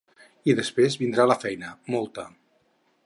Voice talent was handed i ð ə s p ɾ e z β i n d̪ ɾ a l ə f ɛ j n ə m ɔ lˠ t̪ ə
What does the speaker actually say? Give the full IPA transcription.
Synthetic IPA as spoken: i ð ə s p ɾ e z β i n d̪ ɾ a l ə f ɛ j n ə m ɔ lˠ t̪ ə